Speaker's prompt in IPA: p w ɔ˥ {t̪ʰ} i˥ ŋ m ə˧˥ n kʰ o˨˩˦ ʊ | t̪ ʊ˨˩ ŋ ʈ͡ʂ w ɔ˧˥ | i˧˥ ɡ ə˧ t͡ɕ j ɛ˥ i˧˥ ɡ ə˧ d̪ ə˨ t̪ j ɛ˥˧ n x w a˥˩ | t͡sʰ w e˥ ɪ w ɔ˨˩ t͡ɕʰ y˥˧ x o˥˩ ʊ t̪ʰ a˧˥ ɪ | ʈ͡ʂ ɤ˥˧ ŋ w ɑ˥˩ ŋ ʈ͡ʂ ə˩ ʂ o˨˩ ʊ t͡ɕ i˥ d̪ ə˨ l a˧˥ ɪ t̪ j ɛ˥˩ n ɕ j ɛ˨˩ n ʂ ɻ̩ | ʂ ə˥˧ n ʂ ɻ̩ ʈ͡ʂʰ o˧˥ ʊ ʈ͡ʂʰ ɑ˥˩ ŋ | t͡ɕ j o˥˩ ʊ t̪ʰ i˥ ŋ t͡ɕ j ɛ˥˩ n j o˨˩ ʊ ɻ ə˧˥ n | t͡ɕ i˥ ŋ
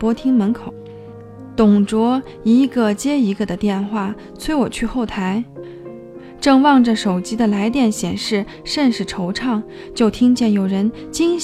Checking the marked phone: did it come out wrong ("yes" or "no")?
no